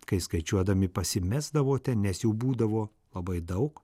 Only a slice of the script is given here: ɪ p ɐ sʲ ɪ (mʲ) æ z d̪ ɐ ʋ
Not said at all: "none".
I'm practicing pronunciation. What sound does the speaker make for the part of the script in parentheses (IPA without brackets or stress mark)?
mʲ